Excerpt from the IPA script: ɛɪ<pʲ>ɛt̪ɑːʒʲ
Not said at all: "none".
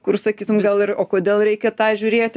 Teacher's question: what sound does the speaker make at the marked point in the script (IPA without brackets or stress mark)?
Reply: kʲ